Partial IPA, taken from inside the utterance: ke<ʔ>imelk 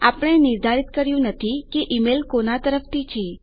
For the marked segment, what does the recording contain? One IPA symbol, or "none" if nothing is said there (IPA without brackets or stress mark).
ʔ